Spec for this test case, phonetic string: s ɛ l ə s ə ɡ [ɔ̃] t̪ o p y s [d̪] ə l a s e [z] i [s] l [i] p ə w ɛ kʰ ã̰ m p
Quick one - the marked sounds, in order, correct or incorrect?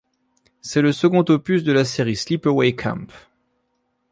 correct, correct, incorrect: ʁ, correct, correct

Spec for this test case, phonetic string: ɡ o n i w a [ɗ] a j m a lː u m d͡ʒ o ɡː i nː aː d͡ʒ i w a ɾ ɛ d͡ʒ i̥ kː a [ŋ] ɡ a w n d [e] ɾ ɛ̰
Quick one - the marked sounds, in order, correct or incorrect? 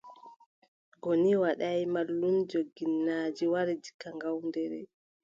correct, correct, incorrect: ɛ

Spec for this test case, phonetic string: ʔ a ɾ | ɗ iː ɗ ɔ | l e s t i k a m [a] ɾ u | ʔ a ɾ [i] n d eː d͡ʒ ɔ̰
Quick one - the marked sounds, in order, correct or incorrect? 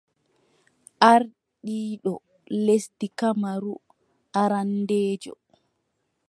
correct, incorrect: a

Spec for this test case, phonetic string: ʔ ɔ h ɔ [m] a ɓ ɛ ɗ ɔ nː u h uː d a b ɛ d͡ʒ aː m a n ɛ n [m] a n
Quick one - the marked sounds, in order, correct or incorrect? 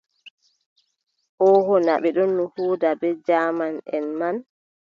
incorrect: n, correct

